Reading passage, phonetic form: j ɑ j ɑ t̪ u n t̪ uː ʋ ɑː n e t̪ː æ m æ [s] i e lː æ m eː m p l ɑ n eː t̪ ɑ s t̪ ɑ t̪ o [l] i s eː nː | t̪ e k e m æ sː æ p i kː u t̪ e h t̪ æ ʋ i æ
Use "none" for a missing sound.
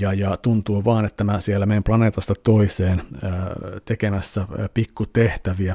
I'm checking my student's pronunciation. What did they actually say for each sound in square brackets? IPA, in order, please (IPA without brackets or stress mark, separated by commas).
s, none